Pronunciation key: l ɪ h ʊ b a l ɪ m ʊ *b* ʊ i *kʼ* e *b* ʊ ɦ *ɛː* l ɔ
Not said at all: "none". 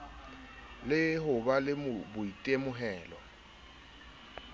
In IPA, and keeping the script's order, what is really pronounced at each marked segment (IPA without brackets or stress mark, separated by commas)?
b, tʼ, m, ɛː